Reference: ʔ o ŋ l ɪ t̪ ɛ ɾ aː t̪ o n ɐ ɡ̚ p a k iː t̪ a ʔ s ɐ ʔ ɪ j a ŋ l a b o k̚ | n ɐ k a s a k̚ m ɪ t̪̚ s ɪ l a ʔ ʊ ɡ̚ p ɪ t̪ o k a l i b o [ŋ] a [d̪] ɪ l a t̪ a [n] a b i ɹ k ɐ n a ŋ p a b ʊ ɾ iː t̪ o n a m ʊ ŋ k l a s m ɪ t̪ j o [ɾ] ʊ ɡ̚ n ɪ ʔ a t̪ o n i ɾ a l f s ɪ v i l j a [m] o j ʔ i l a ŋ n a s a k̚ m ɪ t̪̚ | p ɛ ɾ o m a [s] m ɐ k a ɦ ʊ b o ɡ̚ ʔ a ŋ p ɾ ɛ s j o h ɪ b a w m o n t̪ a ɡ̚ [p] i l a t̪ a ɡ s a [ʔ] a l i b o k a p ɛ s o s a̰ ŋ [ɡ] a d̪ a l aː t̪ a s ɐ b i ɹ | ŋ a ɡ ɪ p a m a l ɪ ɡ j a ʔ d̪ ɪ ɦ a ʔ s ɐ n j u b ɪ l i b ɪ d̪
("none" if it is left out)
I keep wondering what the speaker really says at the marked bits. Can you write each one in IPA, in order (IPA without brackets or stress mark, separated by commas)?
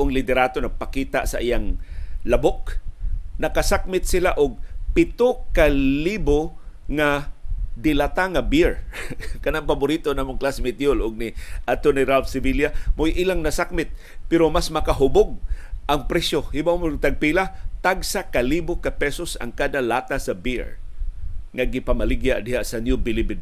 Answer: ŋ, d̪, ŋ, l, m, s, p, k, k